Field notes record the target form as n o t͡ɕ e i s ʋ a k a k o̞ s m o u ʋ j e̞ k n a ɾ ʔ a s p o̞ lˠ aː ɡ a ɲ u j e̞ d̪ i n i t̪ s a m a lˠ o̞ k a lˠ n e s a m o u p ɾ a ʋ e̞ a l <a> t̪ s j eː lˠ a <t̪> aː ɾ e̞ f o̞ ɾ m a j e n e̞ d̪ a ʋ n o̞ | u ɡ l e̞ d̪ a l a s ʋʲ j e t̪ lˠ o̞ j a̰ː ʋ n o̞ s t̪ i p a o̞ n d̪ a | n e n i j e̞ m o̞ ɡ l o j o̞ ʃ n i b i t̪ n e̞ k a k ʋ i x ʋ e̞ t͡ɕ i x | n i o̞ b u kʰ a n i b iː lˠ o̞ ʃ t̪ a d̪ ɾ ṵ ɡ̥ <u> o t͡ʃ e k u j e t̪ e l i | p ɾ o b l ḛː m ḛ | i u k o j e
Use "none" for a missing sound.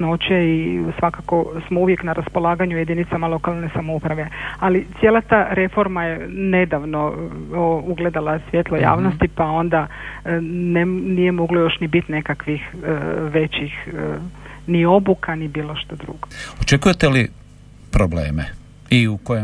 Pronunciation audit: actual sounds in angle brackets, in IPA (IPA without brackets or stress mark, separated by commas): i, t̪, o